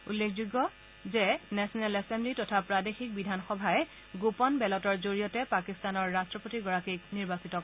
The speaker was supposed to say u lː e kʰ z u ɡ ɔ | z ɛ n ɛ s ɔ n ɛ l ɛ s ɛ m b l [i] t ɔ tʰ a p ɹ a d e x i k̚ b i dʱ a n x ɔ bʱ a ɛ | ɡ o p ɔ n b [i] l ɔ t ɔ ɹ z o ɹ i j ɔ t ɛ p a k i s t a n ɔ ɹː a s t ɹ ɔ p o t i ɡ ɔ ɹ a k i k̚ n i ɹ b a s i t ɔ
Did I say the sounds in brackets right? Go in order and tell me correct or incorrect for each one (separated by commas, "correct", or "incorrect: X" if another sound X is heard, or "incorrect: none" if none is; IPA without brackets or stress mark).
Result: correct, incorrect: ɛ